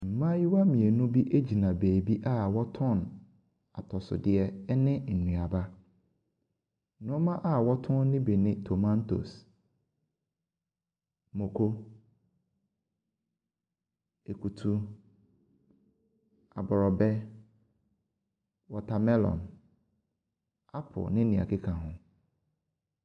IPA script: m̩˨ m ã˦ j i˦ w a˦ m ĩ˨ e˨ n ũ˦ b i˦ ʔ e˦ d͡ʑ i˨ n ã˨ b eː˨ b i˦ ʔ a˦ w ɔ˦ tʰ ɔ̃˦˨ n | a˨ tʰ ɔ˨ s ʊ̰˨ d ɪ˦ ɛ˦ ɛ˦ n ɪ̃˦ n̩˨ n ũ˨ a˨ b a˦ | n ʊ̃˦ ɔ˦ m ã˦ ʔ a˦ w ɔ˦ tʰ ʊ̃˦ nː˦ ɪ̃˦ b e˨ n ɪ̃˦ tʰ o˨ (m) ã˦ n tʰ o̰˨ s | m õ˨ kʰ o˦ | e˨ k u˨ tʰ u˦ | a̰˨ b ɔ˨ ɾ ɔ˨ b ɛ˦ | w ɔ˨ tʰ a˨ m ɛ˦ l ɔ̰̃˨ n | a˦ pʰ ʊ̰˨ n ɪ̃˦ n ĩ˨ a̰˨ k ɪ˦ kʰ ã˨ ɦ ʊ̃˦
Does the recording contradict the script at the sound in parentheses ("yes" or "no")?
no